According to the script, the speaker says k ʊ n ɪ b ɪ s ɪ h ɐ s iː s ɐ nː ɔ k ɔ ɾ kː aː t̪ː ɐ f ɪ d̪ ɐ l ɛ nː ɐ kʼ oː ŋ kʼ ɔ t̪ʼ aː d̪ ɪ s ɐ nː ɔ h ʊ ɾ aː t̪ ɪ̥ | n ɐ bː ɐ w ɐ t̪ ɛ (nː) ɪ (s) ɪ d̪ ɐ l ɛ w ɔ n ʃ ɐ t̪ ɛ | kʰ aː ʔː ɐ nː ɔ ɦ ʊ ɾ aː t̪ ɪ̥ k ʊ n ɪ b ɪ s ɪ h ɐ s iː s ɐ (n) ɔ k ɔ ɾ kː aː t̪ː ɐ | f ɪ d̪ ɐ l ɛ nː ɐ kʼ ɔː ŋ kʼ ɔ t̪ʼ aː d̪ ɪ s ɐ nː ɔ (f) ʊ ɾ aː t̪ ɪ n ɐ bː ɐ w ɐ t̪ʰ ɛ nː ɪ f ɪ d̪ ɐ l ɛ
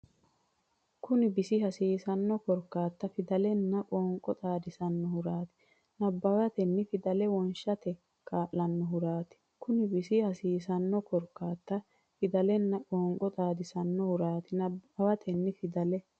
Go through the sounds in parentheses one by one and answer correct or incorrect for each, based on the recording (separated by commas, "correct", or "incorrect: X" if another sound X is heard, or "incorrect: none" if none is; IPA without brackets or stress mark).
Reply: correct, incorrect: f, incorrect: nː, incorrect: h